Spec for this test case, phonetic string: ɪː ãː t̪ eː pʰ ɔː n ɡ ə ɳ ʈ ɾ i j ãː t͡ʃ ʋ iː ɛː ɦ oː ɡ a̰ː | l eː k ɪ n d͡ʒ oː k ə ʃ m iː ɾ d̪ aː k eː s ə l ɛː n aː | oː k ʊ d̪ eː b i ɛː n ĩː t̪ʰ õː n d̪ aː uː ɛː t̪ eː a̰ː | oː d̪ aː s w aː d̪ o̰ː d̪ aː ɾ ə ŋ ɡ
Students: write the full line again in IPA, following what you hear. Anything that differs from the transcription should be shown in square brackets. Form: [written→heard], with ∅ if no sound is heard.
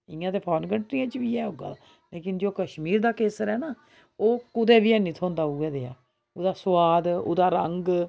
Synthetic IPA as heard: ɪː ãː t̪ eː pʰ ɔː n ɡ ə ɳ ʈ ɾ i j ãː t͡ʃ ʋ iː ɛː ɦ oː ɡ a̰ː | l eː k ɪ n d͡ʒ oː k ə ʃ m iː ɾ d̪ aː k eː s ə [l→ɾ] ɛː n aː | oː k ʊ d̪ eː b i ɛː n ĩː t̪ʰ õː n d̪ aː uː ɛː [t̪→d̪] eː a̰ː | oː d̪ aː s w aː d̪ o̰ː d̪ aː ɾ ə ŋ ɡ